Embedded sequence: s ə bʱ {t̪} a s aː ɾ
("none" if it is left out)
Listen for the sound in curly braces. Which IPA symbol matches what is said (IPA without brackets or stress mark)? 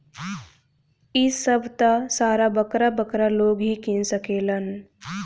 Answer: t̪